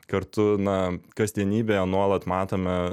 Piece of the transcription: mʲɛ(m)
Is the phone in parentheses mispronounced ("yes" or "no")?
yes